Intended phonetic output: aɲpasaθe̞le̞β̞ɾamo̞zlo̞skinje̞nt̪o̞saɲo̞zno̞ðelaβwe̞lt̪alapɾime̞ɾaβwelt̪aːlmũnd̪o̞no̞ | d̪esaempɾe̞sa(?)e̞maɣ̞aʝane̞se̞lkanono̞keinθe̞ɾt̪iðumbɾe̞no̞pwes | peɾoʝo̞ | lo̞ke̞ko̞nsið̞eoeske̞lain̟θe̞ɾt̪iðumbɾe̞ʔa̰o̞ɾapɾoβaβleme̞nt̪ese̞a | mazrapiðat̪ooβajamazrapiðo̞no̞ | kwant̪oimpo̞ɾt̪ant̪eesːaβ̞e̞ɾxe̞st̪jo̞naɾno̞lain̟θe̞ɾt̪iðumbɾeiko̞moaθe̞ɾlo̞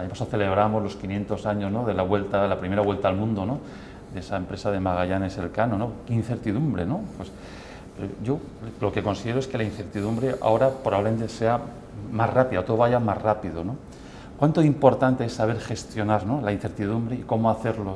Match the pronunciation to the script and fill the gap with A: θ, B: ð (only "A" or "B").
B